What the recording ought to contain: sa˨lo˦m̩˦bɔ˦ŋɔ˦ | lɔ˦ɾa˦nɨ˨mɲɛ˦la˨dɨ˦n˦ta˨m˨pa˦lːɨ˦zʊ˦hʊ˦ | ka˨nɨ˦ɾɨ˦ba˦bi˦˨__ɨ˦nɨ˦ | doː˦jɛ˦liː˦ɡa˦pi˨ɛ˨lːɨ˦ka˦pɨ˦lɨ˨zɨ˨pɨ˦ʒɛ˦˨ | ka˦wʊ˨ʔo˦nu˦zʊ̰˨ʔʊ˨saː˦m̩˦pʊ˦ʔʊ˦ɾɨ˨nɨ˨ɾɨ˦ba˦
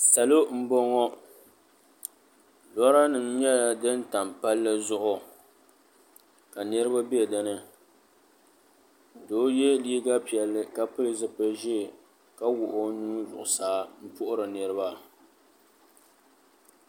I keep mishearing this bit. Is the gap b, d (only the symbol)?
d